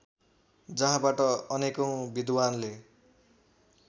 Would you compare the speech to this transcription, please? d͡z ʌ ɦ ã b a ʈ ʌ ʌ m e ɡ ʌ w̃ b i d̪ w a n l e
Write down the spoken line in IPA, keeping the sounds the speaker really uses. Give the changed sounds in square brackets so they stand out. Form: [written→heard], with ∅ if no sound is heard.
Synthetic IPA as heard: d͡z ʌ ɦ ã b a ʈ ʌ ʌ [m→n] e [ɡ→k] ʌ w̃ b i d̪ w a n l e